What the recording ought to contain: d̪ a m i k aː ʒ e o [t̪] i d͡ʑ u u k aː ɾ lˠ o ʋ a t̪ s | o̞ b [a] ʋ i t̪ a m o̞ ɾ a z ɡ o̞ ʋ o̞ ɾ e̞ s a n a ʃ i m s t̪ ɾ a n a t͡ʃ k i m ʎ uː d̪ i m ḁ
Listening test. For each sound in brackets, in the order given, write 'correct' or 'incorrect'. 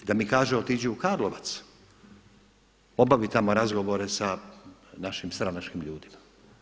correct, correct

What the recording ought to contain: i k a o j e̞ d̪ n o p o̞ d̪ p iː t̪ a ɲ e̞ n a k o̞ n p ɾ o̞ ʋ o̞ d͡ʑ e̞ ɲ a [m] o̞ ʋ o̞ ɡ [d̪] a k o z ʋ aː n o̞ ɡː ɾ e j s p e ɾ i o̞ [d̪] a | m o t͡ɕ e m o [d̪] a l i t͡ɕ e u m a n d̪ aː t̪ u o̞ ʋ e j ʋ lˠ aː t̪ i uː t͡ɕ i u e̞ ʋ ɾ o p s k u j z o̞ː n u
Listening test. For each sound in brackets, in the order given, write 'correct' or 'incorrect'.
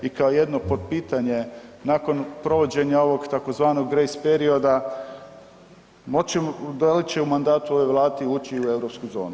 incorrect: none, incorrect: t̪, correct, correct

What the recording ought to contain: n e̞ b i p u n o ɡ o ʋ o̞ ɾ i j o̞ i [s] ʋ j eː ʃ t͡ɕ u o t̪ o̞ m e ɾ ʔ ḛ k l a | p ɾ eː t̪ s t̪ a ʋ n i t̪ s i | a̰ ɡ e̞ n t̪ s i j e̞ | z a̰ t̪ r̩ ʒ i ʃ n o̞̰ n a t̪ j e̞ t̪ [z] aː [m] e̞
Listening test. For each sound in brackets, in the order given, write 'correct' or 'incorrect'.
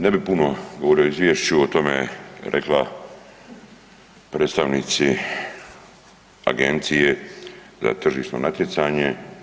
incorrect: z, incorrect: s, incorrect: ɲ

